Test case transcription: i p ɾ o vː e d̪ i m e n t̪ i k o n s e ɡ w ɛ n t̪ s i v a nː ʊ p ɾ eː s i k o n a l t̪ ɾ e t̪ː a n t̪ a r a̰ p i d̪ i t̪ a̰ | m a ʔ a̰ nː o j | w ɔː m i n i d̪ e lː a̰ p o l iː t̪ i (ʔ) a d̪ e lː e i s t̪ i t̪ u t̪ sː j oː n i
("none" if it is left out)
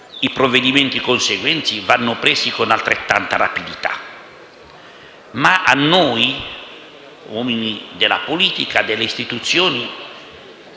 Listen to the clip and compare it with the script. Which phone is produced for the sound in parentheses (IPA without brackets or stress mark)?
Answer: k